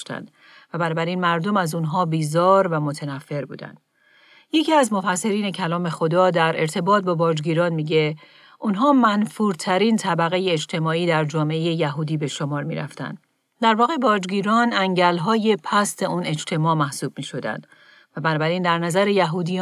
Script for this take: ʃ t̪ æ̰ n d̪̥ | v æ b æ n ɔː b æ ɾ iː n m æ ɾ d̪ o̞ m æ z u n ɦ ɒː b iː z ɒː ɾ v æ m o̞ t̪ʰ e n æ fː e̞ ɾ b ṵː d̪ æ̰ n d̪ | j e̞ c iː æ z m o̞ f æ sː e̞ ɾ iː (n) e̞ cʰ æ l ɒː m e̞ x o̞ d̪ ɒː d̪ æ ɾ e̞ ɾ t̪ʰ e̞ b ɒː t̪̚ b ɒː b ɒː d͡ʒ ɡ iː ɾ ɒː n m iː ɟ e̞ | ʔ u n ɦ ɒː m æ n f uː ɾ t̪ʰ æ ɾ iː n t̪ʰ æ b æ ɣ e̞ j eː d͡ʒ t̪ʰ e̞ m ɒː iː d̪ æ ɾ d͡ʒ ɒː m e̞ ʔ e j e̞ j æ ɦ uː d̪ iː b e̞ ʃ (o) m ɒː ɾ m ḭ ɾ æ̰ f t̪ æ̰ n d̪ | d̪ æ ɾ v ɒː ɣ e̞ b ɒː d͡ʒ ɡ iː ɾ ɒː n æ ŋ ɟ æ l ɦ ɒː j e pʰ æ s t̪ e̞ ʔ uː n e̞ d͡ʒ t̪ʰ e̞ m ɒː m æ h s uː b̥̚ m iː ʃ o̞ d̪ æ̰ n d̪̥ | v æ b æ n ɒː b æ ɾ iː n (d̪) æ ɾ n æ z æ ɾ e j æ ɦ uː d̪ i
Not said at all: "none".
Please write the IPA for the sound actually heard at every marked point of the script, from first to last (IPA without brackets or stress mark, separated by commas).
n, o, d̪